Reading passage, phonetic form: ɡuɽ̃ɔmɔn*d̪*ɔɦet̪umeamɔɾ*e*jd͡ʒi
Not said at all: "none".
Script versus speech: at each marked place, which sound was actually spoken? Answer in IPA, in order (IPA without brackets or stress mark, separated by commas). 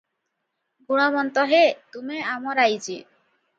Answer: t̪, a